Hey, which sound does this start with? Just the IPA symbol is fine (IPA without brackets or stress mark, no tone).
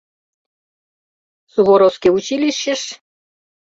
s